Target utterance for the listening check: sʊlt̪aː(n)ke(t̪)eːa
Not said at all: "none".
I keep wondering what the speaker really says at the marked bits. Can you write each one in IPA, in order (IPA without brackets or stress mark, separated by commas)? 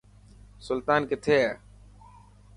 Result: n, t̪ʰ